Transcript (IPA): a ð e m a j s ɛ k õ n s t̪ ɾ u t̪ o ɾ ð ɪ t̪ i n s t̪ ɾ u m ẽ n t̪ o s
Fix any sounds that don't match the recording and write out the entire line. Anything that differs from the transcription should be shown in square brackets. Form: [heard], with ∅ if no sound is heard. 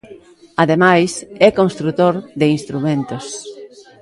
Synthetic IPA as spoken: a ð e m a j s ɛ k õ n s t̪ ɾ u t̪ o ɾ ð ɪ [∅] i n s t̪ ɾ u m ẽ n t̪ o s